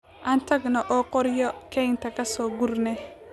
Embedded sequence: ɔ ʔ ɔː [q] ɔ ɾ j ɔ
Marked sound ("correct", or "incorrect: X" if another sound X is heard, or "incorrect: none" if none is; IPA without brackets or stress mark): correct